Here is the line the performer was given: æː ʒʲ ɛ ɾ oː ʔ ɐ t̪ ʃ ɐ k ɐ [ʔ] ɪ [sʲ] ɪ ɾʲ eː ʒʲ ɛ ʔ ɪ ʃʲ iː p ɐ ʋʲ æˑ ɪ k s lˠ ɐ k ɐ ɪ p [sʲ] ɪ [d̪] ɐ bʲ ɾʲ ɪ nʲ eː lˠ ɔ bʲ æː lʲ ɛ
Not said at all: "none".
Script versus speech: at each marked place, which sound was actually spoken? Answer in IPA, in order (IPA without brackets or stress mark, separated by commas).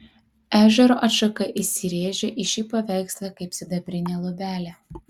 ʔ, sʲ, sʲ, d̪